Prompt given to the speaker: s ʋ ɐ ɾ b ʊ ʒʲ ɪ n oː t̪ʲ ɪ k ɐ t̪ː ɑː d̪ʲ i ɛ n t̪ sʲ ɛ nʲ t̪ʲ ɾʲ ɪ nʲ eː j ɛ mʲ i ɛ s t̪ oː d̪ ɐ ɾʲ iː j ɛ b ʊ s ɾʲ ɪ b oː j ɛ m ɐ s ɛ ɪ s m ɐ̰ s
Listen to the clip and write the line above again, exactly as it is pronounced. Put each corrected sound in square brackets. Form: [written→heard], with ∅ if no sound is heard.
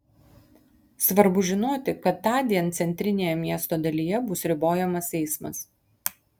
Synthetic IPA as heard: s ʋ ɐ ɾ b ʊ ʒʲ ɪ n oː t̪ʲ ɪ k ɐ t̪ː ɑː d̪ʲ i ɛ n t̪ sʲ ɛ nʲ t̪ʲ ɾʲ ɪ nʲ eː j ɛ mʲ i ɛ s t̪ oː d̪ ɐ [ɾʲ→lʲ] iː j ɛ b ʊ s ɾʲ ɪ b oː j ɛ m ɐ s ɛ ɪ s m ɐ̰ s

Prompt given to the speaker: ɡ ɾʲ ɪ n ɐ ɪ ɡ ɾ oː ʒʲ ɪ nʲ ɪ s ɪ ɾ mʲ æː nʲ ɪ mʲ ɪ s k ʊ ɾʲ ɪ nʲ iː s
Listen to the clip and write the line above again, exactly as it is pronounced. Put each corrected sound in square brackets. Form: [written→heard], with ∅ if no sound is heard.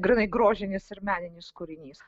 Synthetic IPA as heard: ɡ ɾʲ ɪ n ɐ ɪ ɡ ɾ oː ʒʲ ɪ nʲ ɪ s ɪ ɾ mʲ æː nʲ ɪ [mʲ→nʲ] ɪ s k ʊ ɾʲ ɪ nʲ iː s

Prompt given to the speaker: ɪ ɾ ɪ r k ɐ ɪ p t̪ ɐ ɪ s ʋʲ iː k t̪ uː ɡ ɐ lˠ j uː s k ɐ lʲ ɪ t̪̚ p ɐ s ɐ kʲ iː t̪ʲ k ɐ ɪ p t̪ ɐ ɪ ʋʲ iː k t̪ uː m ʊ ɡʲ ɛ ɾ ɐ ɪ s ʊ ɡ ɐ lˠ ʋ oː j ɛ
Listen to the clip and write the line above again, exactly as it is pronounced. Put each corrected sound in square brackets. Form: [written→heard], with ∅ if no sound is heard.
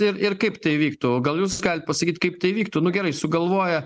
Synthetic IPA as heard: ɪ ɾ ɪ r k ɐ ɪ p t̪ ɐ ɪ [s→∅] ʋʲ iː k t̪ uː ɡ ɐ lˠ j uː s [k→ɡ] ɐ lʲ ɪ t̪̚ p ɐ s ɐ kʲ iː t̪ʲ k ɐ ɪ p t̪ ɐ ɪ ʋʲ iː k t̪ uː [m→n] ʊ ɡʲ ɛ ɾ ɐ ɪ s ʊ ɡ ɐ lˠ ʋ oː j ɛ

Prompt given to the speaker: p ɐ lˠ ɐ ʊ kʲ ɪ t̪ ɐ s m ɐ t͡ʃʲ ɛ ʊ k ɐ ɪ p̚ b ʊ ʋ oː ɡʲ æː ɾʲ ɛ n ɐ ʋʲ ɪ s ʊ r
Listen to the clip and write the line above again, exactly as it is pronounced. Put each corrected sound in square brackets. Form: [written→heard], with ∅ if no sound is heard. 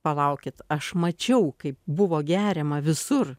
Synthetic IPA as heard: p ɐ lˠ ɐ ʊ kʲ ɪ t̪ ɐ [s→ʃ] m ɐ t͡ʃʲ ɛ ʊ k ɐ ɪ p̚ b ʊ ʋ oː ɡʲ æː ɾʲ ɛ [n→m] ɐ ʋʲ ɪ s ʊ r

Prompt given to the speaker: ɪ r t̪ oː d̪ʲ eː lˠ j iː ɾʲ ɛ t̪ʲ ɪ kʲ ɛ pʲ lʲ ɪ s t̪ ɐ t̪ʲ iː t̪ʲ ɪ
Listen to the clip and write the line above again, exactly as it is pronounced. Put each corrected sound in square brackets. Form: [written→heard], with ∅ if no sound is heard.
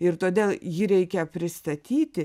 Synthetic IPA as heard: ɪ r t̪ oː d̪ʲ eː lˠ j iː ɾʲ ɛ [t̪ʲ→∅] ɪ kʲ ɛ pʲ [lʲ→ɾʲ] ɪ s t̪ ɐ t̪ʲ iː t̪ʲ ɪ

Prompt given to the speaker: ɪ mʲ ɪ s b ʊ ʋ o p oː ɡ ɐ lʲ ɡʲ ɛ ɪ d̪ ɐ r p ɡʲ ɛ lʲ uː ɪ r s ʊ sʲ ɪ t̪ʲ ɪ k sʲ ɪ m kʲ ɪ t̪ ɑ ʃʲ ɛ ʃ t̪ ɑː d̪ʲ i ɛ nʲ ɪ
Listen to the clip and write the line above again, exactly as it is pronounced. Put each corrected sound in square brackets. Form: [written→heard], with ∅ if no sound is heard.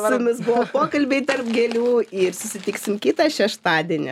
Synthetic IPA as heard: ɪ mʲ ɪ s b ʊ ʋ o p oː [ɡ→k] ɐ lʲ [ɡʲ→bʲ] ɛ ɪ [d̪→t̪] ɐ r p ɡʲ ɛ lʲ uː ɪ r s ʊ sʲ ɪ t̪ʲ ɪ k sʲ ɪ m kʲ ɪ t̪ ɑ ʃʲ ɛ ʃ t̪ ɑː d̪ʲ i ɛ nʲ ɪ

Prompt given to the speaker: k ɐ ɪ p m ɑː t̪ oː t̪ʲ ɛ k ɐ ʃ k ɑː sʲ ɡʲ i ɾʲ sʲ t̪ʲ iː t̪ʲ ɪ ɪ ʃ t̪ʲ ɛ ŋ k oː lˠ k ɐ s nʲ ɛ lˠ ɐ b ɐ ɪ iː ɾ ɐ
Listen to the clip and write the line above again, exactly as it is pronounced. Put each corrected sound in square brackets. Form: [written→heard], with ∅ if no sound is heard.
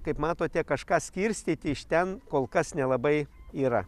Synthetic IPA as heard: k ɐ ɪ p m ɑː t̪ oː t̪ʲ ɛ k ɐ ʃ k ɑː sʲ [ɡʲ→kʲ] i ɾʲ sʲ t̪ʲ iː t̪ʲ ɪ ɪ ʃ t̪ʲ ɛ [ŋ→n] k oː lˠ k ɐ s nʲ ɛ lˠ ɐ b ɐ ɪ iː ɾ ɐ

